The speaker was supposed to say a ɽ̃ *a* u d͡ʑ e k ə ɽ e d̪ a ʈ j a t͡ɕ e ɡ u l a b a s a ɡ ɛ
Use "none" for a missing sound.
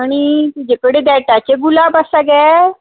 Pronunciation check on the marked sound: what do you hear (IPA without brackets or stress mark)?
i